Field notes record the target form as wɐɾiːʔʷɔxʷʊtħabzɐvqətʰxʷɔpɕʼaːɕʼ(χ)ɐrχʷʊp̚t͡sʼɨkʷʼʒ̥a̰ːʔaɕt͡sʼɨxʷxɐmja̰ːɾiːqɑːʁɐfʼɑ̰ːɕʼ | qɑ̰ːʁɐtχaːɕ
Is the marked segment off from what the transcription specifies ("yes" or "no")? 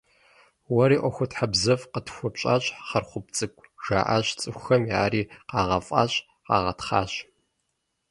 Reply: no